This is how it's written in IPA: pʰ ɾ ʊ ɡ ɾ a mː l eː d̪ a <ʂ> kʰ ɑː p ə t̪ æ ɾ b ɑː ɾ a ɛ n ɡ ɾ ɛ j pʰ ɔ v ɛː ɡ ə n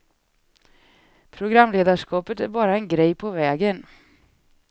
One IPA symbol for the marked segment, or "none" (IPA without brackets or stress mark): ʂ